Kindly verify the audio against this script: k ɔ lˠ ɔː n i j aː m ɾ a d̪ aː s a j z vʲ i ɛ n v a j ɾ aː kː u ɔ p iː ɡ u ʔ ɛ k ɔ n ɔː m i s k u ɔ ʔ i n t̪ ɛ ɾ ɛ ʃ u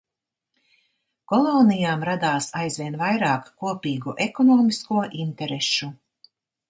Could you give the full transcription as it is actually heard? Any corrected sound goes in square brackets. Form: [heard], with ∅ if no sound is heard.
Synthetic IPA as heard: k ɔ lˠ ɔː n i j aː m ɾ a d̪ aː s a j z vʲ i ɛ n v a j ɾ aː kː u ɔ p iː ɡ u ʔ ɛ k ɔ n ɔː m i s k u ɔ ʔ i n t̪ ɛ ɾ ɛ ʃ u

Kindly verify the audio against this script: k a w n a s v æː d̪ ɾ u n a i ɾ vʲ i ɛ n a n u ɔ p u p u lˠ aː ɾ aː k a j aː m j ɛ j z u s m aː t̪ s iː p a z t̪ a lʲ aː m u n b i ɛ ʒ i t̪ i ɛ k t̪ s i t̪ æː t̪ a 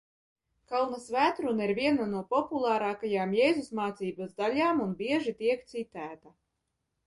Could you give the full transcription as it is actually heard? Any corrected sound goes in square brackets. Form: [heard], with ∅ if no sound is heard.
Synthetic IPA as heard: k a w n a s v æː [t̪] ɾ u n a i ɾ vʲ i ɛ n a n u ɔ p [ɔ] p u lˠ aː ɾ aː k a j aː m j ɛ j z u s m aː t̪ s iː [b] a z [d̪] a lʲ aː m u n b i ɛ ʒ i t̪ i ɛ k t̪ s i t̪ æː t̪ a

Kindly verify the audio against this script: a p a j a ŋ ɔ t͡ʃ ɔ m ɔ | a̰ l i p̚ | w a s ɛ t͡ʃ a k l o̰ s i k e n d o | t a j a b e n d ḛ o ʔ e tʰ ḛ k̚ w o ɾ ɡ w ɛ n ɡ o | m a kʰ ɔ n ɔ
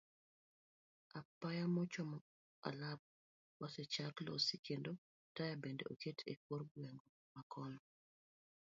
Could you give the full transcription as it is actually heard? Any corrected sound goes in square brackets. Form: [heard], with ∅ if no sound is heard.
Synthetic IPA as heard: a p a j a [m] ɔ t͡ʃ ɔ m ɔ | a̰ l [a] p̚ | w a s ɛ t͡ʃ a k l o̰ s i k e n d o | t a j a b e n d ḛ o [k] e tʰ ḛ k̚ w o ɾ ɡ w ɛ [ŋ] ɡ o | m a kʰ ɔ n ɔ

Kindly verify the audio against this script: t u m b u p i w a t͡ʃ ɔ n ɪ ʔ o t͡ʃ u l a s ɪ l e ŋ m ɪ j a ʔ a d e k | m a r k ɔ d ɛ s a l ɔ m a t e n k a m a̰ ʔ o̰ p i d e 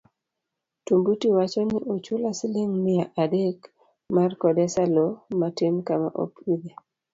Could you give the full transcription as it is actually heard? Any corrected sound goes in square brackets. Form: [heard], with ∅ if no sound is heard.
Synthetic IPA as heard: t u m b u [t] i w a t͡ʃ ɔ n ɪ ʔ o t͡ʃ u l a s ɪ l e ŋ m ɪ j a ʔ a d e k | m a r k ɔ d ɛ s a l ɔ m a t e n k a m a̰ ʔ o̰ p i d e

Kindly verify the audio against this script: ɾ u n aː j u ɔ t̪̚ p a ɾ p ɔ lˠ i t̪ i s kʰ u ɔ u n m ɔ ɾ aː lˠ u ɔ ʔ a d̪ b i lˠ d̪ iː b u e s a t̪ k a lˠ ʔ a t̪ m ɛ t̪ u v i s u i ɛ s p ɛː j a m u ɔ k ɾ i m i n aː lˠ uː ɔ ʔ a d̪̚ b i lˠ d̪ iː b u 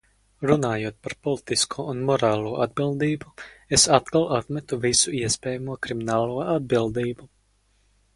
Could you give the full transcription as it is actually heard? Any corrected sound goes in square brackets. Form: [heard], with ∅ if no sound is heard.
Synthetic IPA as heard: ɾ u n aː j u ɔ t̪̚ p a ɾ p ɔ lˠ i t̪ i s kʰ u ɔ u n m ɔ ɾ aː lˠ u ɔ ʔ a d̪ b i lˠ d̪ iː b u e s a t̪ k a lˠ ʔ a t̪ m ɛ t̪ u v i s u i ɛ s p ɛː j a m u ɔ k ɾ i m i n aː lˠ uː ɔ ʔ a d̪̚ b i lˠ d̪ iː b u

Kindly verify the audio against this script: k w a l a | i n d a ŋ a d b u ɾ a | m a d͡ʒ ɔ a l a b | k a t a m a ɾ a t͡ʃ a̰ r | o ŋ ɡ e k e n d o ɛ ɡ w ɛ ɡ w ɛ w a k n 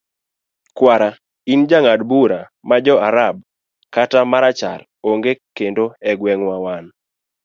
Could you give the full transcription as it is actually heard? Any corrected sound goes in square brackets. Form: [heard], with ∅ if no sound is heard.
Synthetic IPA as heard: k w a [ɾ] a | i n [d͡ʒ] a ŋ a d b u ɾ a | m a d͡ʒ ɔ a [ɾ] a b | k a t a m a ɾ a t͡ʃ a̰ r | o ŋ ɡ e k e n d o ɛ ɡ w ɛ [ŋ] w [a] w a [∅] n

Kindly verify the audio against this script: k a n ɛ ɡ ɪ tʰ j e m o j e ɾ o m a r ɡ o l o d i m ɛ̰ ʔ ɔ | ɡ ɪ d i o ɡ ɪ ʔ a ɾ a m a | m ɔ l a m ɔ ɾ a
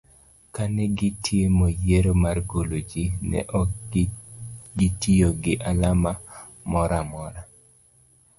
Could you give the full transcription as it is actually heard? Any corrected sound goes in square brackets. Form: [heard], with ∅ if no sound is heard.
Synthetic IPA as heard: k a n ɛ ɡ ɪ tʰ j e m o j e ɾ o m a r ɡ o l o [d͡ʒ] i [n] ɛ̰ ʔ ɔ | ɡ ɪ [t] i o ɡ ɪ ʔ a [l] a m a | m ɔ [ɾ] a m ɔ ɾ a

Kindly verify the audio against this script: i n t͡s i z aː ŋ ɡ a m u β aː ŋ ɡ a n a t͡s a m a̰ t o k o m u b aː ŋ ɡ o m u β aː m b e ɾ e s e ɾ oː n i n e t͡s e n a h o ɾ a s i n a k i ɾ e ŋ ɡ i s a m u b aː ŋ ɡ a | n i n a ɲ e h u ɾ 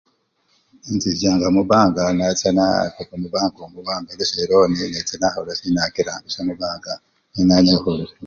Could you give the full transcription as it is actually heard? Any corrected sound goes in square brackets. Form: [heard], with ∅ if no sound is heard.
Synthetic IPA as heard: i n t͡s i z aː ŋ ɡ a m u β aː ŋ ɡ a n a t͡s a [n] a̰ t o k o m u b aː ŋ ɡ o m u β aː m b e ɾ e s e ɾ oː n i n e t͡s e n a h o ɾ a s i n a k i ɾ [a] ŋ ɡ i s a m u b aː ŋ ɡ a | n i n a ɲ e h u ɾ

